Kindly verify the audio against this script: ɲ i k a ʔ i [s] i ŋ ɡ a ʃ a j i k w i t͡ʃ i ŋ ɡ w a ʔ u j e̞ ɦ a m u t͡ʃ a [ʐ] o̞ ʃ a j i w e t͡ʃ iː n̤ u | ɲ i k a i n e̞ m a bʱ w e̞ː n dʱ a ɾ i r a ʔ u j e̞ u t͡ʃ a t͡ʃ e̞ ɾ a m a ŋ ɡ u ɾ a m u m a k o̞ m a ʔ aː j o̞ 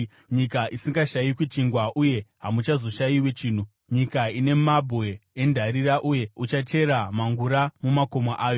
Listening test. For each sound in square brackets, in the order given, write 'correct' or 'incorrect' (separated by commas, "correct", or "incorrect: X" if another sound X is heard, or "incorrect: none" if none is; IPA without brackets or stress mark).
correct, incorrect: z